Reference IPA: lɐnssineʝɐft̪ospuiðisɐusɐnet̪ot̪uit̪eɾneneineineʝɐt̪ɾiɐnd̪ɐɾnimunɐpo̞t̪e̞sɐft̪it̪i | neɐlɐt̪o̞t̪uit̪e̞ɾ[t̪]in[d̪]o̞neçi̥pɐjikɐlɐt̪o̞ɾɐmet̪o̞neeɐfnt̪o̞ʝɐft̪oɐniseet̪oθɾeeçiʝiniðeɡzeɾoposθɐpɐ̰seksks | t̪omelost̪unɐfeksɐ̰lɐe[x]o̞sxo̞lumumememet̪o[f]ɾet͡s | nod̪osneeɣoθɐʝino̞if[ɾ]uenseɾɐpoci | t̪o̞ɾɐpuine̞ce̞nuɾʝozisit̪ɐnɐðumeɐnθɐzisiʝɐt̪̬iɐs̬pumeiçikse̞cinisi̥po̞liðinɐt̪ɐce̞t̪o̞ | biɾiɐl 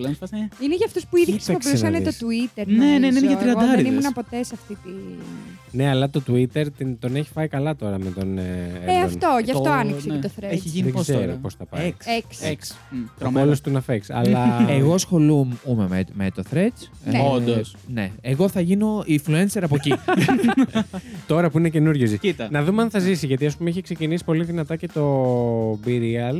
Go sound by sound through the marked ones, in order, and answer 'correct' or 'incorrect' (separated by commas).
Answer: correct, incorrect, incorrect, incorrect, incorrect